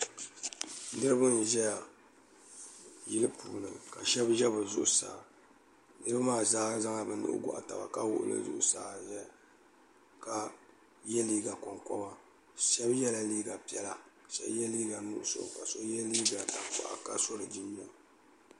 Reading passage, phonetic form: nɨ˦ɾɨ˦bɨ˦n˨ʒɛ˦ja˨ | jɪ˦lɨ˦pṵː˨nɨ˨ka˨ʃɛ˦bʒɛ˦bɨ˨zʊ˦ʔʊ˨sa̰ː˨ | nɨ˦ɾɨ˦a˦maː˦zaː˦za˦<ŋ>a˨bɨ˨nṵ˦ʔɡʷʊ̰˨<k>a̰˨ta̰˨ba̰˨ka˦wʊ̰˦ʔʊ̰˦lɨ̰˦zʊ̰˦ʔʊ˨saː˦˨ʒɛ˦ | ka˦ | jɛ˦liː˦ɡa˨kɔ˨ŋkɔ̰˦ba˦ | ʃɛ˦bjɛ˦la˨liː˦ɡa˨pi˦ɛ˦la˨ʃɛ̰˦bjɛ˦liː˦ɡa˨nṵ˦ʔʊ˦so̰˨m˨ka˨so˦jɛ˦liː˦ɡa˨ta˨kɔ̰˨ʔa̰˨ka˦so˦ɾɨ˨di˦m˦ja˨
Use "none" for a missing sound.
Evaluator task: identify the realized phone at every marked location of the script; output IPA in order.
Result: ŋ, ʔ

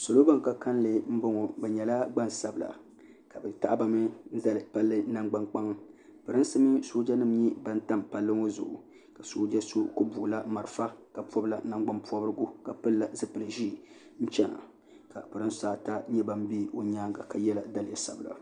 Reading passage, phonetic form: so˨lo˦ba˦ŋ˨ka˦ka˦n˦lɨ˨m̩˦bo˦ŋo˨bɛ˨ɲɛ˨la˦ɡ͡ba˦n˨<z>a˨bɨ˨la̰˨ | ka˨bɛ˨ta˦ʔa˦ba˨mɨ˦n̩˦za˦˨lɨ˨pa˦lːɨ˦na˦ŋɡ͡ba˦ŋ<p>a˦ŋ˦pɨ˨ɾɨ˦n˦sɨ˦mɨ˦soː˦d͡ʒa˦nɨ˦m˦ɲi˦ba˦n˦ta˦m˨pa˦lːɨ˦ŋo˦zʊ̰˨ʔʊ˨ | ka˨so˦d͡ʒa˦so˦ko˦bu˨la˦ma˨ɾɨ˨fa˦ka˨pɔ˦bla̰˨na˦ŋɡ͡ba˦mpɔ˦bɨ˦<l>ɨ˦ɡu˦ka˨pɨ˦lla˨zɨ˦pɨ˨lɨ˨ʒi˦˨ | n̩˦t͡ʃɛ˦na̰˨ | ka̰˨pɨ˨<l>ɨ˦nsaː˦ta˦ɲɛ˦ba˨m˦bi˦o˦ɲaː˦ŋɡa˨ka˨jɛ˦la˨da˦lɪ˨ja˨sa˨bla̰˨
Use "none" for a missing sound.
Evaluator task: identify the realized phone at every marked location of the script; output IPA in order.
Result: s, k͡p, ɾ, ɾ

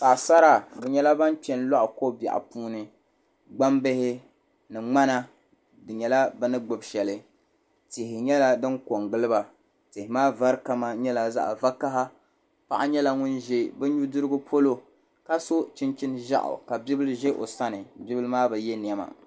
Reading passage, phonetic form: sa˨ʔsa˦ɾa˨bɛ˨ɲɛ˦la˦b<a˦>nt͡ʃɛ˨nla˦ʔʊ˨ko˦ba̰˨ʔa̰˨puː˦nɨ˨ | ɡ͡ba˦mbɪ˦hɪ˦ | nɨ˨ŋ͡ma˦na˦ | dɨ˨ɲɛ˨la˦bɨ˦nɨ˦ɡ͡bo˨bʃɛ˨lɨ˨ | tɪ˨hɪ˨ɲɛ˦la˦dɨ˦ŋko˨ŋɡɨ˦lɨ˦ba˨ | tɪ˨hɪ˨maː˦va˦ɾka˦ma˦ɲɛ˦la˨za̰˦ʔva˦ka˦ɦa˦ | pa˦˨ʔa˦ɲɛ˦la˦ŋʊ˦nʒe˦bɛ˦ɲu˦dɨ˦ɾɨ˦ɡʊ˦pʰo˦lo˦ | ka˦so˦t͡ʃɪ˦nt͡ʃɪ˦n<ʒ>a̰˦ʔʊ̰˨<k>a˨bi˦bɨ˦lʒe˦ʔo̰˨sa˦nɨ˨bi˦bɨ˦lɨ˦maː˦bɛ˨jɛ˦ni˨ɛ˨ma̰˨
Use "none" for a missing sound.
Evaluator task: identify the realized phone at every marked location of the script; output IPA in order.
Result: a˦, ʒ, k

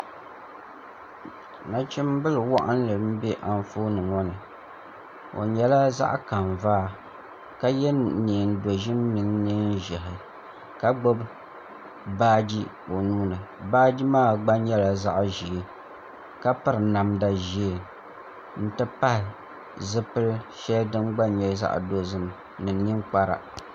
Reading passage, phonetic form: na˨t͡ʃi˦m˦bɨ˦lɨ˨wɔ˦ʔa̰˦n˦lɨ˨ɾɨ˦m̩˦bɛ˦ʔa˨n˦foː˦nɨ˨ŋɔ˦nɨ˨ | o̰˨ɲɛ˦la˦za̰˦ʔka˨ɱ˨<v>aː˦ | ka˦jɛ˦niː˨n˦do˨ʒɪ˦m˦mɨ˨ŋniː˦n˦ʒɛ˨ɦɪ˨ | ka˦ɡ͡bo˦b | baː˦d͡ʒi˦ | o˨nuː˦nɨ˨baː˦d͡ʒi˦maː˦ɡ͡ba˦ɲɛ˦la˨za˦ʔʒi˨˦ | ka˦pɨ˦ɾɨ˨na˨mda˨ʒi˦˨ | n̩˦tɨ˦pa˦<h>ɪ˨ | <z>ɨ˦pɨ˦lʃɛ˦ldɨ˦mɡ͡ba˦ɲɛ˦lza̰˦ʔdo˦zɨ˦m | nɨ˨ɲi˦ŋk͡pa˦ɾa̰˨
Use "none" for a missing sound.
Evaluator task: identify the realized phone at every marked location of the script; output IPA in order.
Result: v, h, z

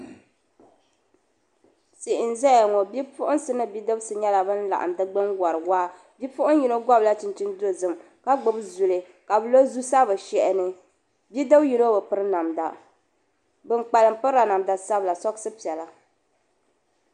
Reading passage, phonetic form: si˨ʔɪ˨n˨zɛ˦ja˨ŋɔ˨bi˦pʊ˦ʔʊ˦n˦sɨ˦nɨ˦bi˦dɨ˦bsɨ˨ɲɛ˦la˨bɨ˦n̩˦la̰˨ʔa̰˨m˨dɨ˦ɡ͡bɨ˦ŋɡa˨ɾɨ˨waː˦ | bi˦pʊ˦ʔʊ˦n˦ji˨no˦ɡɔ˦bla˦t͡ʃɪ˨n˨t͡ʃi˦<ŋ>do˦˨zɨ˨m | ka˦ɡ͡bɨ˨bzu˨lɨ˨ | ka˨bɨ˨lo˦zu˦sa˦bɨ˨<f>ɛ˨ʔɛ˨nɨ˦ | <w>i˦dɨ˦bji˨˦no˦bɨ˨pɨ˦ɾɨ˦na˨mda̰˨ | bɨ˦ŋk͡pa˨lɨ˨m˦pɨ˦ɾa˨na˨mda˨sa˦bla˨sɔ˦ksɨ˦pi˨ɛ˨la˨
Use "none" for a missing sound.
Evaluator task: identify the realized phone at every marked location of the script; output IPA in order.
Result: n, ʃ, b

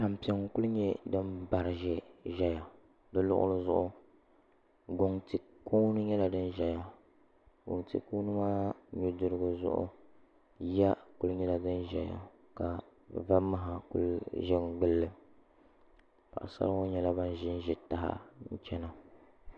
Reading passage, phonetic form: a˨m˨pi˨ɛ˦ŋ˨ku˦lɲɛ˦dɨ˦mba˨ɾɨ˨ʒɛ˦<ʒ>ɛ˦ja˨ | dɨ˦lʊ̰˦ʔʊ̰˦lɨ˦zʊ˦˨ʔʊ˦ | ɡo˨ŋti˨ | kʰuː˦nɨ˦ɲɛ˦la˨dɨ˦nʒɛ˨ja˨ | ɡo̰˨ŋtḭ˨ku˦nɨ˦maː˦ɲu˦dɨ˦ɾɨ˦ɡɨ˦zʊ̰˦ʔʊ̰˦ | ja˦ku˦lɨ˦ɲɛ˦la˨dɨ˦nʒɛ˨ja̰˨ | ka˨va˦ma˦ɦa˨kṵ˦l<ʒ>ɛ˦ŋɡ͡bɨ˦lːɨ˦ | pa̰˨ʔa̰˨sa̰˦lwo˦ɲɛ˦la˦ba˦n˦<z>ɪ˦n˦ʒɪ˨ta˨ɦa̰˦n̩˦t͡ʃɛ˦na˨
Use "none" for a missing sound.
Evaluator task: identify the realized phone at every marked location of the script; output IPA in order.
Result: ʒ, ʒ, ʒ

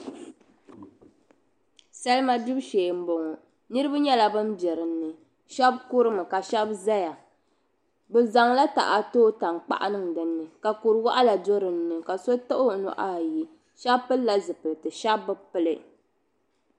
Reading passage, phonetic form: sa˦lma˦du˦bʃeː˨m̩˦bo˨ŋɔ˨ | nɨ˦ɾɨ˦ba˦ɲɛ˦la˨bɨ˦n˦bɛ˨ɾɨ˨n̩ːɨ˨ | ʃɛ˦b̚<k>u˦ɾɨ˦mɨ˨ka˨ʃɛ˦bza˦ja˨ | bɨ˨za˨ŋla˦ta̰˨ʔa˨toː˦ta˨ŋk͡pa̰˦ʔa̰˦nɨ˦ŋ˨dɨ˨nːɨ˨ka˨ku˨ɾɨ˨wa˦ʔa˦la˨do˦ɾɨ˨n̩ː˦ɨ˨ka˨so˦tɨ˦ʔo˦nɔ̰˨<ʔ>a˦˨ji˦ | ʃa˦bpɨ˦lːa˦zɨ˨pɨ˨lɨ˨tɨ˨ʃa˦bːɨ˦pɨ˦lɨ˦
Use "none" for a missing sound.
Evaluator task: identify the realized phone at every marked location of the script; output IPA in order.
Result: k, ʔ

